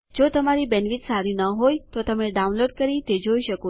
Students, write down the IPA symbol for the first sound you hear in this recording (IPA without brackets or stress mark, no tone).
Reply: d͡ʒ